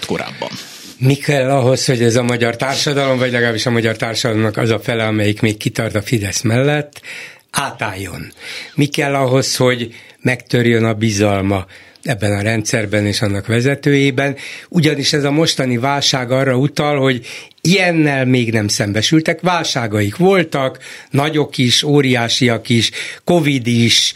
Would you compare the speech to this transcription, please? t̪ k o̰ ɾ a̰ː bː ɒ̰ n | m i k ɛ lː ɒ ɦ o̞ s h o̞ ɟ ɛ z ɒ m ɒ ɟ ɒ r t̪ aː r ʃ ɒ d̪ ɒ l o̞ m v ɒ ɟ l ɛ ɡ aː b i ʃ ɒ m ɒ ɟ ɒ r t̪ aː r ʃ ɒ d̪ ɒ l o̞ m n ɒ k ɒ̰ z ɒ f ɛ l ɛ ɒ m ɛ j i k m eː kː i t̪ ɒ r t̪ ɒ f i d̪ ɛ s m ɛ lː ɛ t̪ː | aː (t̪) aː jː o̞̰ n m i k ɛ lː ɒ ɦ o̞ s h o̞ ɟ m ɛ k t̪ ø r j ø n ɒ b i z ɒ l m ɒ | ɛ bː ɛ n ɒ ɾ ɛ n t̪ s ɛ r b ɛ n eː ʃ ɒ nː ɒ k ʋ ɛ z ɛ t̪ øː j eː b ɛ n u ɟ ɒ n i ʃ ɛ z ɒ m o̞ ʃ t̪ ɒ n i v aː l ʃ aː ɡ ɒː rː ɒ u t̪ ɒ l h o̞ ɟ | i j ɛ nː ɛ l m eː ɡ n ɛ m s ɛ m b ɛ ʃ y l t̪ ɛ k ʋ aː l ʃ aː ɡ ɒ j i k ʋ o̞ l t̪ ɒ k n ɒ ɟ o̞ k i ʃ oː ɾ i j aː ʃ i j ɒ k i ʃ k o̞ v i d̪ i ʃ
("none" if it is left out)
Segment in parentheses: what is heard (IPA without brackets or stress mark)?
t̪